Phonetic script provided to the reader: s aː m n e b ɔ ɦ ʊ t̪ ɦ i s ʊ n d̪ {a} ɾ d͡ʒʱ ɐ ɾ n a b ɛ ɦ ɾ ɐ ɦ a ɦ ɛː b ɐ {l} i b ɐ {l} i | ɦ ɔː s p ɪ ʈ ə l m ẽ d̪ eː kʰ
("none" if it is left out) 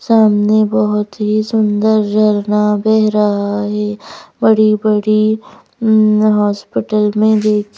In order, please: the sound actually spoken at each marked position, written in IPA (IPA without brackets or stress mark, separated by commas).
ə, ɽ, ɽ